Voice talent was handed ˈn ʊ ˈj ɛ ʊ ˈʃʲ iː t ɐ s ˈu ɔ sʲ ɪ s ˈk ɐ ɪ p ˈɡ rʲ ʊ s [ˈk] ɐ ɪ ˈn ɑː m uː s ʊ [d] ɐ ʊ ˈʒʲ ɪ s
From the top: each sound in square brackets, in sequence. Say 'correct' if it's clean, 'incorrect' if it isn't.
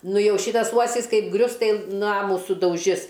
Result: incorrect: t, correct

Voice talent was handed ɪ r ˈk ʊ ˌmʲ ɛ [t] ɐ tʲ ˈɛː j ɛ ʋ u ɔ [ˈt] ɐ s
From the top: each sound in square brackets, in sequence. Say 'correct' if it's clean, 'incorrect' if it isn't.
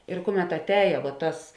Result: correct, correct

